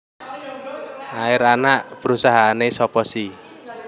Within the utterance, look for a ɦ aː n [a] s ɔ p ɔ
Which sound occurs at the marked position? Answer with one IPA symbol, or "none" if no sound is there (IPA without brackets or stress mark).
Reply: e